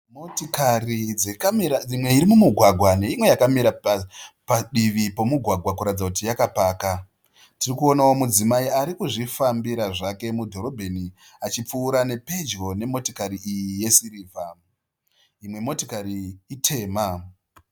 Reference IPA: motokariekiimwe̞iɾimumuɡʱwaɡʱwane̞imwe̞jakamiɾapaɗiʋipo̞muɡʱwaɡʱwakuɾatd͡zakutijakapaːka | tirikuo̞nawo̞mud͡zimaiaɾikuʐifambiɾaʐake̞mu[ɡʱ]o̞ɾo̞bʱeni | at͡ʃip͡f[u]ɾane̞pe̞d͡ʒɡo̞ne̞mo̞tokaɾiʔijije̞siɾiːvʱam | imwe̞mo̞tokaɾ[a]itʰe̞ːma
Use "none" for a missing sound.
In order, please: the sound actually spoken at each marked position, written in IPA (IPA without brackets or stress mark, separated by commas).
dʱ, uː, i